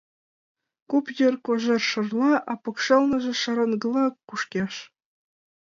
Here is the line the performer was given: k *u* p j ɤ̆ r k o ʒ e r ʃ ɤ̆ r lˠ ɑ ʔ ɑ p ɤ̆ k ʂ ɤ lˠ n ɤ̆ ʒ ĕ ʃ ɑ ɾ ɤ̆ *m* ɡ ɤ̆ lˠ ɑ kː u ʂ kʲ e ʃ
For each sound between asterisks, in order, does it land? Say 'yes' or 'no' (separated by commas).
yes, no